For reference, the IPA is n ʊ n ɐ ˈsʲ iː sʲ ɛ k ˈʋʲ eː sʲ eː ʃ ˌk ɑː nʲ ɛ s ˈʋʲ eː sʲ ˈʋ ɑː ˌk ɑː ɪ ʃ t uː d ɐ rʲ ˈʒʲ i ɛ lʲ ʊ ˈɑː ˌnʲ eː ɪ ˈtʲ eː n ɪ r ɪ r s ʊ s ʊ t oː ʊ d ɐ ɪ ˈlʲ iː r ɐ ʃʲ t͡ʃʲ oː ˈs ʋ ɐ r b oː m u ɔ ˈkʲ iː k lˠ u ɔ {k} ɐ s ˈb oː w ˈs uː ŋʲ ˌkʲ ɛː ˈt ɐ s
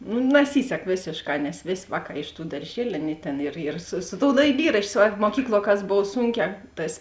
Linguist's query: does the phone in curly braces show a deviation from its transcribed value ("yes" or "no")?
no